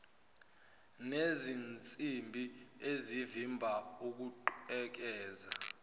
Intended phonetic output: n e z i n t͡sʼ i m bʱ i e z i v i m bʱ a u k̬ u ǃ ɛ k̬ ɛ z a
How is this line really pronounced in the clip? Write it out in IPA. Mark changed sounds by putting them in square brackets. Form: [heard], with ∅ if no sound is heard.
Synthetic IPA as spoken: n e z i n t͡sʼ i m bʱ i e z i v i m bʱ a u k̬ u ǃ ɛ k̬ [ɛː] z a